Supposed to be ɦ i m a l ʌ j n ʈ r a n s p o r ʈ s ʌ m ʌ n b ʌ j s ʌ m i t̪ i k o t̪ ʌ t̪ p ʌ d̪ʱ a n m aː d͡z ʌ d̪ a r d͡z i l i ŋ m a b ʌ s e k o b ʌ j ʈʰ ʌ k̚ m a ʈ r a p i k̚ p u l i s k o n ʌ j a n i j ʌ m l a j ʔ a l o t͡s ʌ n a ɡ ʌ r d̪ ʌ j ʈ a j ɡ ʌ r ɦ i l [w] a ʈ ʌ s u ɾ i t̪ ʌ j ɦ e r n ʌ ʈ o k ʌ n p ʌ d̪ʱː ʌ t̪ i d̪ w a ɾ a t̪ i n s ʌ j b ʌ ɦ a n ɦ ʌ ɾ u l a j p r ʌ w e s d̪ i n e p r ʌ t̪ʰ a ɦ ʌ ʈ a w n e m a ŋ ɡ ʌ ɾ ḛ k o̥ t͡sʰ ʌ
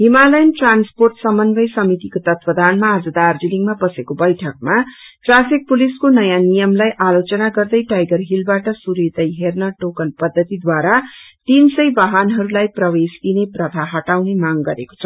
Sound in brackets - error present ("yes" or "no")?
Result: yes